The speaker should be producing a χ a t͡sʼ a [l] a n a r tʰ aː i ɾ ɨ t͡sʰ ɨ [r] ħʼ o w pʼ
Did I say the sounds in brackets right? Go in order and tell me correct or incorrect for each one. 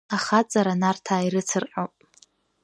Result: incorrect: ɾ, correct

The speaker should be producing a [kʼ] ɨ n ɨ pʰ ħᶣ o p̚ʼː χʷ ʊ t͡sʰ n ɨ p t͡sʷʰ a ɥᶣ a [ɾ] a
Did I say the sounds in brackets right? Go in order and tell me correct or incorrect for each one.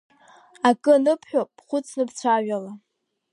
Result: correct, incorrect: l

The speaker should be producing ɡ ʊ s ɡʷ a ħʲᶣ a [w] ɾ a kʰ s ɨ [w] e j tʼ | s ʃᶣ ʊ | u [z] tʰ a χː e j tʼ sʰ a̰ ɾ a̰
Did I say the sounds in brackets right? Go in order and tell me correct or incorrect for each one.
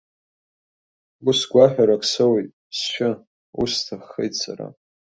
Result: incorrect: none, correct, incorrect: s

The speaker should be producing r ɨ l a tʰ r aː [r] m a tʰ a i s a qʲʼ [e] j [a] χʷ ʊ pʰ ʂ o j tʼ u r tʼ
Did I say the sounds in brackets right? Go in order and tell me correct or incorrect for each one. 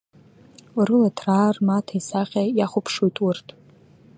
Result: correct, incorrect: a, correct

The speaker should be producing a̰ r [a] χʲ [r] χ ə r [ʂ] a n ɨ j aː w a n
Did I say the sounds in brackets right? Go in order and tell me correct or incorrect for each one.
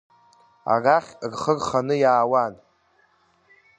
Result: correct, correct, incorrect: χ

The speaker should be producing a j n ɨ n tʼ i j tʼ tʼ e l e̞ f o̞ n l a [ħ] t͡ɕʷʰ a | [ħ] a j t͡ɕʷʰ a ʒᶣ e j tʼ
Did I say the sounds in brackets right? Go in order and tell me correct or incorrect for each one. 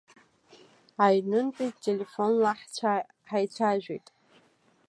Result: correct, correct

